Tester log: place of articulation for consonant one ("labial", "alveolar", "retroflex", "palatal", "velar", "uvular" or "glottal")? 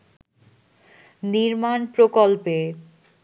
alveolar